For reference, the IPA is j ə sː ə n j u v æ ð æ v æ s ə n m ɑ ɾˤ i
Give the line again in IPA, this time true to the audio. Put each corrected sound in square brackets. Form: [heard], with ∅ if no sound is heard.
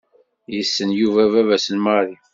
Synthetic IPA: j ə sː ə n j u v æ [v] æ v æ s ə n m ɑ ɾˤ i